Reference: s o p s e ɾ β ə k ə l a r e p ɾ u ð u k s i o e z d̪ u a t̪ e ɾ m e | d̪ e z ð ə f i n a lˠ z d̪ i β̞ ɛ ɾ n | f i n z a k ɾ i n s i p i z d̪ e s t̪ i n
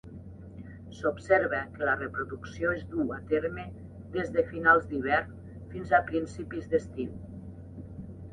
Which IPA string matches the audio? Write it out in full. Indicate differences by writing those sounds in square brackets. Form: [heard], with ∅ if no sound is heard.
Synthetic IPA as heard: s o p s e ɾ β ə k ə l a r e p ɾ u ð u k s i o e z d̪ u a t̪ e ɾ m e | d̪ e z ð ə f i n a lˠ z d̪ i β̞ ɛ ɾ n | f i n z a [p] ɾ i n s i p i z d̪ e s t̪ i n